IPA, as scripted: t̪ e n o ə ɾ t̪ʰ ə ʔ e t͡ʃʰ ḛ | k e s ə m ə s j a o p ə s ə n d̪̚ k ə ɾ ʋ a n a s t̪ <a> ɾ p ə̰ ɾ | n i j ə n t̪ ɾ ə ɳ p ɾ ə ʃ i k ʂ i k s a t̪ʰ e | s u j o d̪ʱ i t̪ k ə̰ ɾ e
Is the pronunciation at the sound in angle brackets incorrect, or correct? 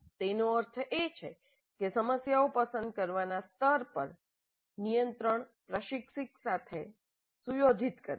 incorrect